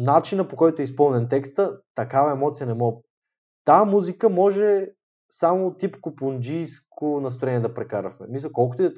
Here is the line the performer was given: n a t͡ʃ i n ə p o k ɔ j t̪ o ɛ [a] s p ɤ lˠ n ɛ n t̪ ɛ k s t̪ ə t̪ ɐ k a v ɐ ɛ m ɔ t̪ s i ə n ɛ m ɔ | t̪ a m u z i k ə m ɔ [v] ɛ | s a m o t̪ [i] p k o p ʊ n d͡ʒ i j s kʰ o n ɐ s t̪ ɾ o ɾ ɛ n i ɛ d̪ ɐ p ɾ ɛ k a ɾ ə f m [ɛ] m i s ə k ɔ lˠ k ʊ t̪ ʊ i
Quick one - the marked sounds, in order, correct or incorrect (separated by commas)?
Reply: incorrect, incorrect, correct, correct